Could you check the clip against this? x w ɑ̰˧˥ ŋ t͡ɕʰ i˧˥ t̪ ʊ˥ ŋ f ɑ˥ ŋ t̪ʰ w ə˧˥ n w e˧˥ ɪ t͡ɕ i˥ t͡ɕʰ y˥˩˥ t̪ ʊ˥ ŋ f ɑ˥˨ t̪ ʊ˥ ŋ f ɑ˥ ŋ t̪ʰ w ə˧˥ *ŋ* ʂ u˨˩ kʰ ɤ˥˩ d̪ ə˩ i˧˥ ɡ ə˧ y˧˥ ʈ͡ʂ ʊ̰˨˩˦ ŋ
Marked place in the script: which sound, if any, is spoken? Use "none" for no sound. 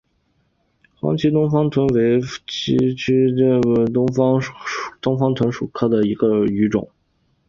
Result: n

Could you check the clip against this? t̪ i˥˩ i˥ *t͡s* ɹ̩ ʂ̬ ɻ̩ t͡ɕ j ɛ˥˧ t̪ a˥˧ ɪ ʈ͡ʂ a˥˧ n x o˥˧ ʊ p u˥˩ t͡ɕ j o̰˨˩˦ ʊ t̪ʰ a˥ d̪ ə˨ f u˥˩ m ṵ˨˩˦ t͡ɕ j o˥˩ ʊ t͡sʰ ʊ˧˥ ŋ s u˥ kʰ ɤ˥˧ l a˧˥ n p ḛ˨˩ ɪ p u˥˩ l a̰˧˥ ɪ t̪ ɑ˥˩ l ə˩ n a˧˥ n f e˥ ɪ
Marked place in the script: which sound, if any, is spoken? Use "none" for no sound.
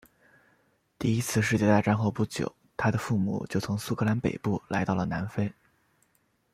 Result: t͡sʰ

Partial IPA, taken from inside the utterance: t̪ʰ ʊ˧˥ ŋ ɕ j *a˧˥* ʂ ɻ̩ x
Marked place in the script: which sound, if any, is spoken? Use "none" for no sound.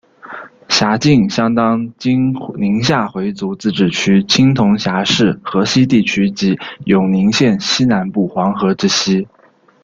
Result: a˧˥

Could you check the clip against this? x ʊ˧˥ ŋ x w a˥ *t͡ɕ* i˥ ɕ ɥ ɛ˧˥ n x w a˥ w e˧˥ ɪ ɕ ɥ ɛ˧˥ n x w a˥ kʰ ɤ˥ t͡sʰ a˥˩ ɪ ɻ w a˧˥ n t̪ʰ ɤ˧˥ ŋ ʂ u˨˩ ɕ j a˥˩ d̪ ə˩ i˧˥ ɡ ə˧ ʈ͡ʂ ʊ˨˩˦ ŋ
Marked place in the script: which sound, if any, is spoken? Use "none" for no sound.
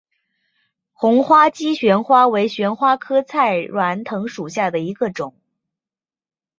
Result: t͡ɕ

